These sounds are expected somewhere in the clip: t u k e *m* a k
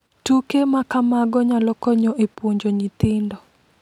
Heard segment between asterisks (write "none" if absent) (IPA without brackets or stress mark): m